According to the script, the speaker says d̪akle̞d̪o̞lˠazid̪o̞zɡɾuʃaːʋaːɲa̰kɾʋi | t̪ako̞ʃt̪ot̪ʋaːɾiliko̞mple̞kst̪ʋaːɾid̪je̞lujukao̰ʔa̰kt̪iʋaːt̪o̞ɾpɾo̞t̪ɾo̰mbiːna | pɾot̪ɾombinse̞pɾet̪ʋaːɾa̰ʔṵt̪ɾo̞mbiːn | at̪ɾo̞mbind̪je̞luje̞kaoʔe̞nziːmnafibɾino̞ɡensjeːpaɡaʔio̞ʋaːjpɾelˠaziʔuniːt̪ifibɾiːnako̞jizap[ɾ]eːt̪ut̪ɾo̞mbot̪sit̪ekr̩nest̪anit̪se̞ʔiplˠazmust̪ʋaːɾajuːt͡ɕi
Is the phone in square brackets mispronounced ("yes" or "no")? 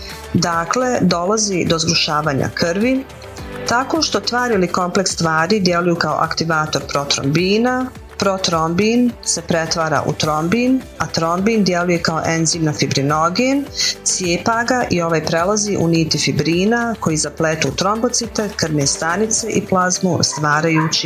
yes